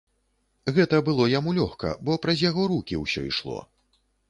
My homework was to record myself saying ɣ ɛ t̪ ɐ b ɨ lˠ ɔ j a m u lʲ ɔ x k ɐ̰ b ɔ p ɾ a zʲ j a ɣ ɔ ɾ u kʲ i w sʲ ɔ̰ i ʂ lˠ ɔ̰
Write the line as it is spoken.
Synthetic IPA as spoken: ɣ ɛ t̪ ɐ b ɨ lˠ ɔ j a m u lʲ ɔ x k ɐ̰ b ɔ p ɾ ɐ zʲ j a ɣ ɔ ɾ u kʲ i w sʲ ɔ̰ i ʂ lˠ ɔ̰